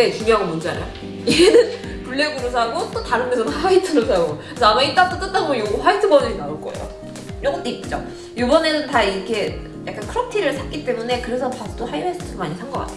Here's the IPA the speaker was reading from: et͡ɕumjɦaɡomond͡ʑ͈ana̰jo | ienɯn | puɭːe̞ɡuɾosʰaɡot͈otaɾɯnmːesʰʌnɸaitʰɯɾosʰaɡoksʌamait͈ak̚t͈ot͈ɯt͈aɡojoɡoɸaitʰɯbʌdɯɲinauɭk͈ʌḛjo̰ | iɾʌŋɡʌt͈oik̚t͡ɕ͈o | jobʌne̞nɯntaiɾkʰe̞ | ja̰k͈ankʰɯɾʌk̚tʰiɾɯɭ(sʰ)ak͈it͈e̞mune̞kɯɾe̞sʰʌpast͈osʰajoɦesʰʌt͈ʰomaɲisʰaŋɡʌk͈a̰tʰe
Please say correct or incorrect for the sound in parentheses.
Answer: correct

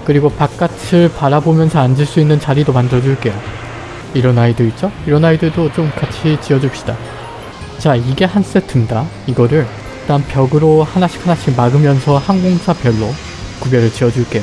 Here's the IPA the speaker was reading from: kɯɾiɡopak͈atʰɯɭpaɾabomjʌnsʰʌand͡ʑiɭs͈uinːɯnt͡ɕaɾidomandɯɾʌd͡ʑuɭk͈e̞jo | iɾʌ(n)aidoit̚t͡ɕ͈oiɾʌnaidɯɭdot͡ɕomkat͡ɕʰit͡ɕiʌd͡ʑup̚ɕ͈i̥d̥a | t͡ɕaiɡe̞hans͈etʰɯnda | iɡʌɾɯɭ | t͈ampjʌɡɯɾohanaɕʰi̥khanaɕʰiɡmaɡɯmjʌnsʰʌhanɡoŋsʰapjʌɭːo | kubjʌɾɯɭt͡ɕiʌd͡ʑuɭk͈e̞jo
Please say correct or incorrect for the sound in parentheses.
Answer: correct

